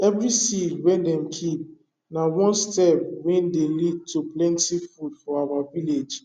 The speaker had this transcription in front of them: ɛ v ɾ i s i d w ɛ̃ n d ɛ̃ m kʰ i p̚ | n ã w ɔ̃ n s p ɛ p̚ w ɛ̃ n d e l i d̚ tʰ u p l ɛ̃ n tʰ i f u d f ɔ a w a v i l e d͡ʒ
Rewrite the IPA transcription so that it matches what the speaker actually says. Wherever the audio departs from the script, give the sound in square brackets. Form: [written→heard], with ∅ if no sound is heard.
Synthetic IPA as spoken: ɛ v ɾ i s i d w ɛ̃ n d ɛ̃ m kʰ i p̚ | n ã w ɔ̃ n s [p→t] ɛ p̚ w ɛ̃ n d e l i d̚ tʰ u p l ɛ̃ n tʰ i f u d f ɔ a w a v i l e d͡ʒ